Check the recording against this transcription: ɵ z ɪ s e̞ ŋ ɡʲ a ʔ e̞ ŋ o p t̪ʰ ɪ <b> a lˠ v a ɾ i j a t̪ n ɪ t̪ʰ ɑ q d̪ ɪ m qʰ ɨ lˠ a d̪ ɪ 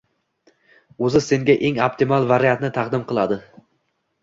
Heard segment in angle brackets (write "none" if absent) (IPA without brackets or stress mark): m